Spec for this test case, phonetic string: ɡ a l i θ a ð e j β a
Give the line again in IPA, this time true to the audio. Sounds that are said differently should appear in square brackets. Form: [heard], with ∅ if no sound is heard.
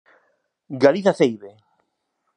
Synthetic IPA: ɡ a l i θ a [θ] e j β [e]